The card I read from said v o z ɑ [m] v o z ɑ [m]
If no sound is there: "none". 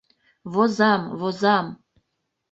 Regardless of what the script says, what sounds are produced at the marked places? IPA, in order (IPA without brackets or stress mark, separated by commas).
m, m